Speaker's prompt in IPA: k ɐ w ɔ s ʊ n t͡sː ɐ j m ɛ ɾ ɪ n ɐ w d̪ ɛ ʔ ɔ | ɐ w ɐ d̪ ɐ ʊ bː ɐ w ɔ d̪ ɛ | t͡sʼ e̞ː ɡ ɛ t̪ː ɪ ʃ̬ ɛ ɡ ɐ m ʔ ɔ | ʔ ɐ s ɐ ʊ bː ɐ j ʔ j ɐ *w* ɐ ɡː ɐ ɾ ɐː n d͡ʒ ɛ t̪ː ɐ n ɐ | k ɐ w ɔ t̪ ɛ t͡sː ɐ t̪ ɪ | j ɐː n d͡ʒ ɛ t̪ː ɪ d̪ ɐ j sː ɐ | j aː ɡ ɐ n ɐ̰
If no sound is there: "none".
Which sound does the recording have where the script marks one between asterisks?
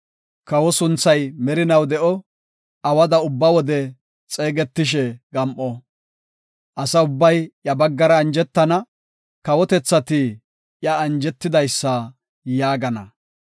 b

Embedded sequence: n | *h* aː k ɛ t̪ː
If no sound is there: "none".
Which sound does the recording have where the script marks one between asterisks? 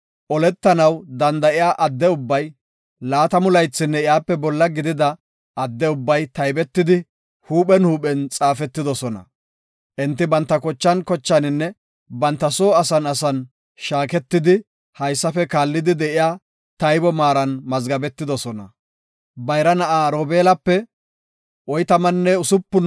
ʃ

